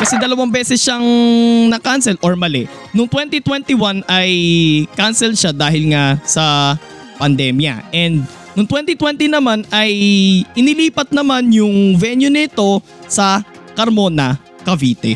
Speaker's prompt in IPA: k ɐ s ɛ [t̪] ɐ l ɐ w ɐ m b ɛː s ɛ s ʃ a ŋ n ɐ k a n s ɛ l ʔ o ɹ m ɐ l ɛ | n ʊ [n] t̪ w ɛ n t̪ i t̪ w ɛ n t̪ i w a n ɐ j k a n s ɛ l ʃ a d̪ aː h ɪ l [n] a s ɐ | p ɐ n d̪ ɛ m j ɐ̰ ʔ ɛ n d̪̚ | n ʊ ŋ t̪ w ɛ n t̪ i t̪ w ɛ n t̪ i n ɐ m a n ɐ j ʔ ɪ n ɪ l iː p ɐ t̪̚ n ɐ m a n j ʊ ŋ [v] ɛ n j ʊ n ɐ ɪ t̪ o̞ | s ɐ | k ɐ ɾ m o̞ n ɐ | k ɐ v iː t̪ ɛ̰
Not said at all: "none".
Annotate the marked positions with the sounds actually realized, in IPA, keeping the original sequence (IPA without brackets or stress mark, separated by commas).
d̪, ŋ, ŋ, v